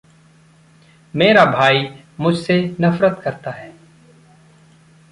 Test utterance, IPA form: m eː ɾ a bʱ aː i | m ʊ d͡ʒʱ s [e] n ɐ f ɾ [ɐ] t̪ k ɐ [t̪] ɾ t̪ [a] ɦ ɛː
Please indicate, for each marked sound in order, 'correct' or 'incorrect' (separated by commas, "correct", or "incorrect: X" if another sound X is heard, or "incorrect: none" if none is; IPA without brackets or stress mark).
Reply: correct, incorrect: ə, incorrect: none, correct